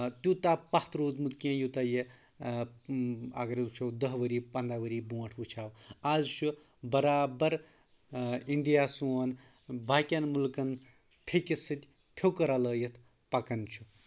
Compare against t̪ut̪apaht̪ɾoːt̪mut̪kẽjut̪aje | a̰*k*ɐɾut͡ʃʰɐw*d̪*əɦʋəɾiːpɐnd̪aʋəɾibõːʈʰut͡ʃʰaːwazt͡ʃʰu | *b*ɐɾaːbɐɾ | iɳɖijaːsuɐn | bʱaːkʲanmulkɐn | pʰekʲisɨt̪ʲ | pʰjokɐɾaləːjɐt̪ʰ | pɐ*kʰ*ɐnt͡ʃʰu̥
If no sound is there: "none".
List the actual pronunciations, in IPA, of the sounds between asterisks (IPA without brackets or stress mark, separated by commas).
ɡ, d̪, b, k